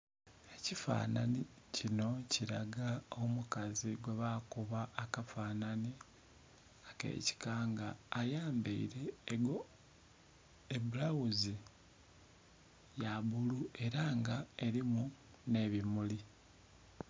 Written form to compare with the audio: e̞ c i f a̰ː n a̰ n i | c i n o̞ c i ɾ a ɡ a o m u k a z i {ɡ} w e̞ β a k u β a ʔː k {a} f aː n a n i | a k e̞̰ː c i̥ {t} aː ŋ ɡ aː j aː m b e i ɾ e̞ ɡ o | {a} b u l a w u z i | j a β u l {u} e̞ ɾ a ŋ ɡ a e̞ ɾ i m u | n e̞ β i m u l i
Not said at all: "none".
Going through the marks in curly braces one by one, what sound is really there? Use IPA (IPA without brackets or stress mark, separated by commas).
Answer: ɡ, a, k, e, u